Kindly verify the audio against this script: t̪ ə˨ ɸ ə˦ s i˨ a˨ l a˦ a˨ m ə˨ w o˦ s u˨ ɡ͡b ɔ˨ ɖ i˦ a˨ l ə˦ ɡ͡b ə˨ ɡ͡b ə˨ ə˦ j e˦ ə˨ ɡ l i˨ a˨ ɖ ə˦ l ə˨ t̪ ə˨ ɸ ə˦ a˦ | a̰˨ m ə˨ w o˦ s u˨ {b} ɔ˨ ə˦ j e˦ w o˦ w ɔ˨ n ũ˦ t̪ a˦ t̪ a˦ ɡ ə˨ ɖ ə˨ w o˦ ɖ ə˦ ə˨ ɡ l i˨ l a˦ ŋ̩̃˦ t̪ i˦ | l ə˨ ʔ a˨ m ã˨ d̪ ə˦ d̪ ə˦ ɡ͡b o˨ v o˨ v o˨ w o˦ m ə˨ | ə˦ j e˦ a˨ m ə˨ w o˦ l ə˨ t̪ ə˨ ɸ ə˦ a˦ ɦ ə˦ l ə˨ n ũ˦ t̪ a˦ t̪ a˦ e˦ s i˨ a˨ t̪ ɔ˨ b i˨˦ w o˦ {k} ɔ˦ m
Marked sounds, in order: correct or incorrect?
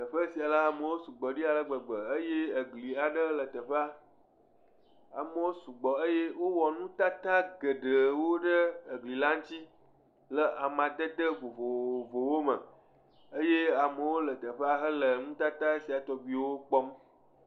incorrect: ɡ͡b, incorrect: k͡p

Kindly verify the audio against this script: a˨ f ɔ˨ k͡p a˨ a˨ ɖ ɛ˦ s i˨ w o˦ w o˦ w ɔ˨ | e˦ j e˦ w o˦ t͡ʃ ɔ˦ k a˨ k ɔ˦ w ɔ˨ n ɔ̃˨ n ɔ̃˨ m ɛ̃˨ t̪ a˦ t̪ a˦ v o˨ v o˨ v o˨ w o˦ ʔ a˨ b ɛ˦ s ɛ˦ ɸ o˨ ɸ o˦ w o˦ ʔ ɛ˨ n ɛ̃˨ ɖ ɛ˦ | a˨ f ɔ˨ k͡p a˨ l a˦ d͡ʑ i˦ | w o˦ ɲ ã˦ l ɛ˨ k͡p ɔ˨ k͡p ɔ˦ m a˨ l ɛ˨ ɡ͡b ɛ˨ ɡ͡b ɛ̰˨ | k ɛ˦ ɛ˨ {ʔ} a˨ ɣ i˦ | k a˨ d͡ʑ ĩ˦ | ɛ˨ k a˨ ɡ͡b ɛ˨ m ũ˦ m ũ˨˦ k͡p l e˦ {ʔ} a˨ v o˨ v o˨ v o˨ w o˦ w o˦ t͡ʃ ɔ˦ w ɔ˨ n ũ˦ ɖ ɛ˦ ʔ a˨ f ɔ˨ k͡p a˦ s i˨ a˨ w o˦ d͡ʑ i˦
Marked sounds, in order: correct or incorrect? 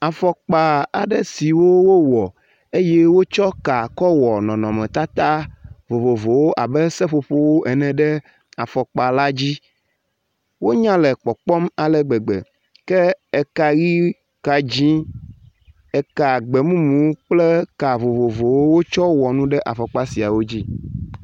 incorrect: k, incorrect: k

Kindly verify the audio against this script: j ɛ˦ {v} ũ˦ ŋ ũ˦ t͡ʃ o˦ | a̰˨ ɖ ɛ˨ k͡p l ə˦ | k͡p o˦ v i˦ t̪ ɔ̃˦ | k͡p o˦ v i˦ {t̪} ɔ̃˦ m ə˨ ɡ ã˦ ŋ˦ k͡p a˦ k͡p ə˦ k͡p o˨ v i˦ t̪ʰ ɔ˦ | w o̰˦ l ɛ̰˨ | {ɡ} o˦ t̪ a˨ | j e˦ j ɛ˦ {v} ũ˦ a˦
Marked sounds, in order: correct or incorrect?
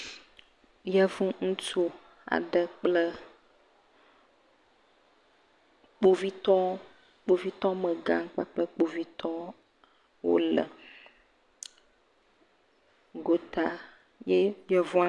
correct, correct, correct, correct

